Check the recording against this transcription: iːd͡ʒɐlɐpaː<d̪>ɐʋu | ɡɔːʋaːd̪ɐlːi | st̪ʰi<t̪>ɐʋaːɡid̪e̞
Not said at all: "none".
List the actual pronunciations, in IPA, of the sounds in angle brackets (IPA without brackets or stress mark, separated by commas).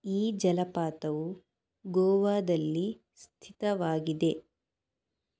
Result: t̪, t̪